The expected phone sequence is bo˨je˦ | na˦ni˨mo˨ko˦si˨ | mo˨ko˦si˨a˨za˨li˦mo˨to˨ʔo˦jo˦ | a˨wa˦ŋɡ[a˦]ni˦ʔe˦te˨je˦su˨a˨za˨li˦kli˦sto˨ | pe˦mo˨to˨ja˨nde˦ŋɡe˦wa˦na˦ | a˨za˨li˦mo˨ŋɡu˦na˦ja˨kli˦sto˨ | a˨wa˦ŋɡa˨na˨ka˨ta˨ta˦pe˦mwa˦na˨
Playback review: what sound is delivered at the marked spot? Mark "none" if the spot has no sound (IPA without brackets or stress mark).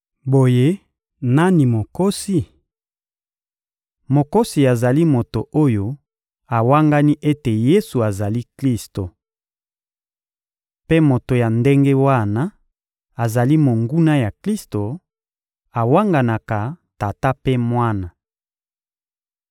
a˦